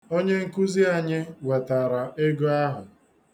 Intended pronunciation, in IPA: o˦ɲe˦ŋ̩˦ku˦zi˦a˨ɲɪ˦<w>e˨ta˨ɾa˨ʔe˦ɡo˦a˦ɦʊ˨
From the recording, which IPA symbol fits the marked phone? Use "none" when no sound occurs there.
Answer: w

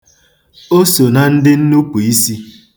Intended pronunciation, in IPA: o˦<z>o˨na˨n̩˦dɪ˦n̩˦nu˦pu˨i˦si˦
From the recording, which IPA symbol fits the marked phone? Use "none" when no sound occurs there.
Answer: s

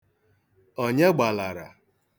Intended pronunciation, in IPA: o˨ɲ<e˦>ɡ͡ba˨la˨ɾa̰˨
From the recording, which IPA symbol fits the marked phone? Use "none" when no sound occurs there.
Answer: e˦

